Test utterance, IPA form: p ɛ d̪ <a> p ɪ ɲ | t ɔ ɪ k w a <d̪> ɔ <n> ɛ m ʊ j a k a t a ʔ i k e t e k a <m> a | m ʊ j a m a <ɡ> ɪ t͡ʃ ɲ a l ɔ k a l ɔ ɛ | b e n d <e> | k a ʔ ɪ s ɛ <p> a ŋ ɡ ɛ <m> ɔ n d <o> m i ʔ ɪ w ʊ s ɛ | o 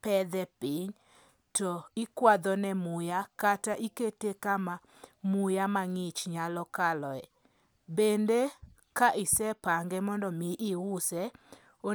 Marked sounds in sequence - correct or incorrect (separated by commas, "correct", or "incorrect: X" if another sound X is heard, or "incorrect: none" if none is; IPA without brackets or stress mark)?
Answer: incorrect: ɛ, correct, correct, correct, incorrect: ŋ, correct, correct, correct, incorrect: ɔ